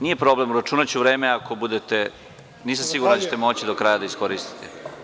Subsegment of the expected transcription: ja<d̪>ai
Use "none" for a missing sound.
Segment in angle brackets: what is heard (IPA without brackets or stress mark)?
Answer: d̪